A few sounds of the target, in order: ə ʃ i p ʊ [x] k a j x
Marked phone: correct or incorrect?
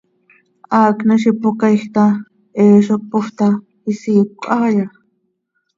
incorrect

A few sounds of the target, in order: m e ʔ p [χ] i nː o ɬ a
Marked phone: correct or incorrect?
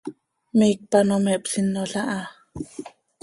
incorrect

